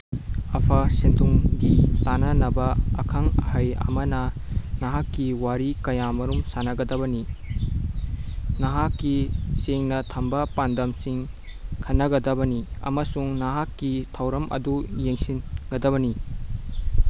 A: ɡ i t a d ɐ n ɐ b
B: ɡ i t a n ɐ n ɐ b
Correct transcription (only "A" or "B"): B